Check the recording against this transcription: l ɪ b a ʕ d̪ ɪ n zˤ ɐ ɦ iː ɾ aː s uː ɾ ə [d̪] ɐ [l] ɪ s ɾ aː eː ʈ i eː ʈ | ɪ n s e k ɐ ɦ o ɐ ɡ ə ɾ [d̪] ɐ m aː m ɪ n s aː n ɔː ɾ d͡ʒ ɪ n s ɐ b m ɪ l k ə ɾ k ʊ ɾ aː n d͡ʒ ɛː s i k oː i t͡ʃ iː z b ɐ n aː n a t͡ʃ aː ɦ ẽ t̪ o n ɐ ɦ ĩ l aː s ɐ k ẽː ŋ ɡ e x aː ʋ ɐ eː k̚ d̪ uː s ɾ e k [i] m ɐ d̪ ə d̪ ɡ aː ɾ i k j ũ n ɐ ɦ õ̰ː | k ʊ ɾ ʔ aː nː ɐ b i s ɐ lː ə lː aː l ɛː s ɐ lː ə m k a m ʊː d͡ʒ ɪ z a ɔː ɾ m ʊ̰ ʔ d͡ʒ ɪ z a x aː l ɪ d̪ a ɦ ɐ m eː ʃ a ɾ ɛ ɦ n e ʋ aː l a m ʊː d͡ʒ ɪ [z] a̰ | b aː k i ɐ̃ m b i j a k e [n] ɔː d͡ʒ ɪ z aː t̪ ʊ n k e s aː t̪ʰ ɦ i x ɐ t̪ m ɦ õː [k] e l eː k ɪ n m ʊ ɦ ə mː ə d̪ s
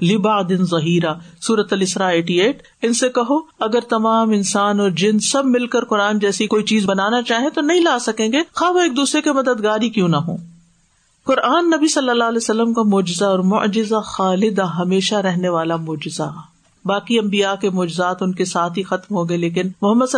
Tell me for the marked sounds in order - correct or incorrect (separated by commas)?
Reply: incorrect, correct, incorrect, incorrect, correct, incorrect, incorrect